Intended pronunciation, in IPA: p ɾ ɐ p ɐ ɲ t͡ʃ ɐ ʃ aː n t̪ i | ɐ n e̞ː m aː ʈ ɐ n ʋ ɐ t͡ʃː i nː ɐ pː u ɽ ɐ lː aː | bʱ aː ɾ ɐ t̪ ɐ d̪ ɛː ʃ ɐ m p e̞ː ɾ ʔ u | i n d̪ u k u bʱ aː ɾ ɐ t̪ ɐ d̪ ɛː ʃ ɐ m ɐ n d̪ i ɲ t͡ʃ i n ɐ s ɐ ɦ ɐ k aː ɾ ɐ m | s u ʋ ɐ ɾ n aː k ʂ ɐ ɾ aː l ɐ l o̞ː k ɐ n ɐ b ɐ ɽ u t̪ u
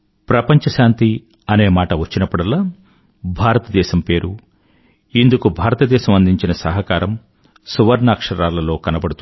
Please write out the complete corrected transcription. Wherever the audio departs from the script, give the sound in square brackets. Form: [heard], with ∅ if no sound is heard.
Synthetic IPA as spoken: p ɾ ɐ p ɐ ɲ t͡ʃ ɐ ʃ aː n t̪ i | ɐ n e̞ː m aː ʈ ɐ [∅] ʋ ɐ t͡ʃː i [n] ɐ pː u ɽ ɐ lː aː | bʱ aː ɾ ɐ t̪ ɐ d̪ ɛː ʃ ɐ m p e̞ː ɾ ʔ u | i n d̪ u k u bʱ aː ɾ ɐ t̪ ɐ d̪ ɛː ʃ ɐ m ɐ n d̪ i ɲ t͡ʃ i n ɐ s ɐ ɦ ɐ k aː ɾ ɐ m | s u ʋ ɐ ɾ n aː k ʂ ɐ ɾ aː l ɐ l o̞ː k ɐ n ɐ b ɐ ɽ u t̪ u